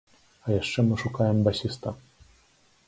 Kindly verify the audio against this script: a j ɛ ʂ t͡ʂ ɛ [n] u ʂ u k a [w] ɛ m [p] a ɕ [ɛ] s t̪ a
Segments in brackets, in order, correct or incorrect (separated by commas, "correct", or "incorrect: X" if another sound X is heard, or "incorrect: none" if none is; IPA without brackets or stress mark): incorrect: m, correct, incorrect: b, incorrect: i